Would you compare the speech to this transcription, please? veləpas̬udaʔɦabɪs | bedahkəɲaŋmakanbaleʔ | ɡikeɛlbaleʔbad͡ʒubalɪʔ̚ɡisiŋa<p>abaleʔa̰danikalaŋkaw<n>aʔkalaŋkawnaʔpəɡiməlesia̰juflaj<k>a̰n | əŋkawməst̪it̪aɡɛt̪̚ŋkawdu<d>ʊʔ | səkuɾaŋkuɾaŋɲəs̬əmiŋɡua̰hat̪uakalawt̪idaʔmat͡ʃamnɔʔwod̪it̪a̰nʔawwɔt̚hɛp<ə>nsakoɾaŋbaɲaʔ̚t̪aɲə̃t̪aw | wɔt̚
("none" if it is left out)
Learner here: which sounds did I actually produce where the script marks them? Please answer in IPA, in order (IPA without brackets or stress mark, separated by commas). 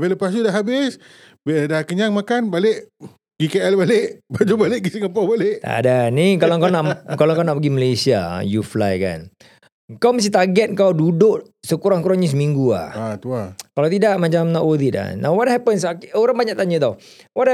p, n, k, d, ə